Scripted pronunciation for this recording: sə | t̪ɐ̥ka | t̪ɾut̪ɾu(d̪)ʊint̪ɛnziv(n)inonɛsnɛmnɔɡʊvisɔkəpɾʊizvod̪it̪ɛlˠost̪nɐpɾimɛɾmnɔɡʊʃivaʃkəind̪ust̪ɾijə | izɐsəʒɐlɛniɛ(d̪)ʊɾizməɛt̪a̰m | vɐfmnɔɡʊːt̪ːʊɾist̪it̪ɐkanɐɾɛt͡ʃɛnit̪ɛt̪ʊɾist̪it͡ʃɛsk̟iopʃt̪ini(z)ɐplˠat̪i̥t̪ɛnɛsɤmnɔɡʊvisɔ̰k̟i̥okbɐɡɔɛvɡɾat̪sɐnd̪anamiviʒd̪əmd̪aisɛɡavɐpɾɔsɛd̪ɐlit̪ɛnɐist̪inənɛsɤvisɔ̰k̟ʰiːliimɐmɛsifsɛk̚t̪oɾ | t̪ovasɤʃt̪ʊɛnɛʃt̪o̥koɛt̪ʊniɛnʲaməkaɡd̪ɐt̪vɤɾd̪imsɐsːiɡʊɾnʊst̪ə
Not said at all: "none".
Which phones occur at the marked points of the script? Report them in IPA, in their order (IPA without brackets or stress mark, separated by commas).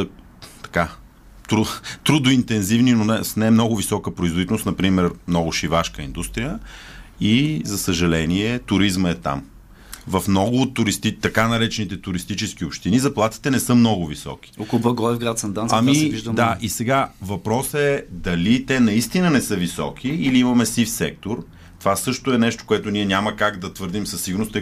d̪, n, t̪, z